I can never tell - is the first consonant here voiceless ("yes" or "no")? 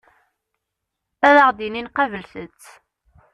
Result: no